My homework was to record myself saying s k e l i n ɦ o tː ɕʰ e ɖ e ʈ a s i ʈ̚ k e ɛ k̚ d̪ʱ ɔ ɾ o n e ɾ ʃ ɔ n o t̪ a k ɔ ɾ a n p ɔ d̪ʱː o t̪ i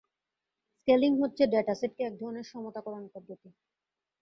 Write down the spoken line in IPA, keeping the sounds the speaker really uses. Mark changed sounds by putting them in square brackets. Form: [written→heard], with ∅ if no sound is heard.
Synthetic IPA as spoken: s k e l i [n→ŋ] ɦ o tː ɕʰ e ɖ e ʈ a s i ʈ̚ k e ɛ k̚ d̪ʱ ɔ ɾ o n e ɾ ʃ ɔ [n→m] o t̪ a k ɔ ɾ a n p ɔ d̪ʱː o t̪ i